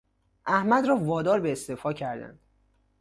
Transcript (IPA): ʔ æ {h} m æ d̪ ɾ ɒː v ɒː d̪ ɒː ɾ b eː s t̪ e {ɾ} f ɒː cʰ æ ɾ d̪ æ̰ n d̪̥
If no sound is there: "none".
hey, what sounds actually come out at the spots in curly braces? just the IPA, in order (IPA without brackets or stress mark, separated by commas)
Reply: h, none